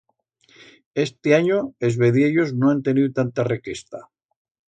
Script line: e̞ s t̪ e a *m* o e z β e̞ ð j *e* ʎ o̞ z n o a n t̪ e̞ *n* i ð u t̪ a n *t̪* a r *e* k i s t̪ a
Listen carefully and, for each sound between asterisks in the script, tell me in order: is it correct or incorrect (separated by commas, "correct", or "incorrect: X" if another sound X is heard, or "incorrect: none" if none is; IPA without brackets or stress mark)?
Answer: incorrect: ɲ, correct, correct, correct, correct